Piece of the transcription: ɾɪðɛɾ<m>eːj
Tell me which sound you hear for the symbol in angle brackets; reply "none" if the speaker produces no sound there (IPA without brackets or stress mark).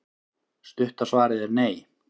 n